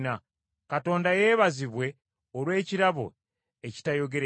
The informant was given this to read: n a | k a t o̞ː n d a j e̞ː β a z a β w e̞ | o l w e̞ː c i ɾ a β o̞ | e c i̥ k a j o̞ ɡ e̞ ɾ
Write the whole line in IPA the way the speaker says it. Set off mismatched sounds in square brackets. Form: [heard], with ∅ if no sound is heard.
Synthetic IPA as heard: n a | k a t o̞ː n d a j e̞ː β a z [i] β w e̞ | o l w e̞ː c i ɾ a β o̞ | e c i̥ [t] a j o̞ ɡ e̞ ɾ